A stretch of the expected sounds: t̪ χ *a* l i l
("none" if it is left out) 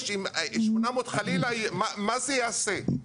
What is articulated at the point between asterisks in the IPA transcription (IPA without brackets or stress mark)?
a